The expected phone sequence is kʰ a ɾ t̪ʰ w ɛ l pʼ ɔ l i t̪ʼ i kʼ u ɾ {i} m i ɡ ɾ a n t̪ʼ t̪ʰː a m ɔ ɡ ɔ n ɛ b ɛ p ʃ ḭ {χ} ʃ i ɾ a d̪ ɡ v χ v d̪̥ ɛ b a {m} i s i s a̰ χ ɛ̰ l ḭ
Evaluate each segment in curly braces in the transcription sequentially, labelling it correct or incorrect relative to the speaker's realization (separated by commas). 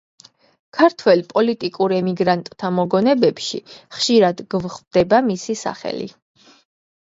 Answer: incorrect, correct, correct